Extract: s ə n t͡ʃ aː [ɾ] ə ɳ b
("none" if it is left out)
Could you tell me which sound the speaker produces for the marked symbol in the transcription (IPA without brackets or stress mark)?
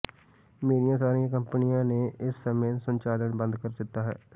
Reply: l